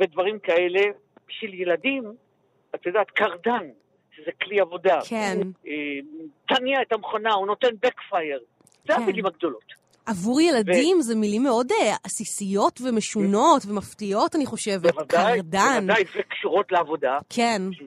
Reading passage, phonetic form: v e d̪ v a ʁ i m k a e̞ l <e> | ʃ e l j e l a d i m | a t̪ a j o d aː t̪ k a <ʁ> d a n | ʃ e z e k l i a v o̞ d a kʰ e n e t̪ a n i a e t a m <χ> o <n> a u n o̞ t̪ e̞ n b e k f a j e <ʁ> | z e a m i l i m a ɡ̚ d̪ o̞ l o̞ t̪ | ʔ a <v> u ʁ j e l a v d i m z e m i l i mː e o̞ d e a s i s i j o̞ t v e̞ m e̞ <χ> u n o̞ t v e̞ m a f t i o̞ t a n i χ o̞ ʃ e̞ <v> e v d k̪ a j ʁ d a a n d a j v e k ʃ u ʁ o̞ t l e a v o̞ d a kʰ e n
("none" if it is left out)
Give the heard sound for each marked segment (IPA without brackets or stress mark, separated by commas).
e, ʁ, χ, n, ʁ, v, ʃ, v